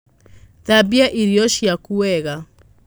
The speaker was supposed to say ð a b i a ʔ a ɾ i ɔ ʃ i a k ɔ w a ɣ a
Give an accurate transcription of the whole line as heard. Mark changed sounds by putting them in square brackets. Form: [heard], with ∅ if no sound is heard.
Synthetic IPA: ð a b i a ʔ [i] ɾ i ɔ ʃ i a k [u] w [ɛ] ɣ a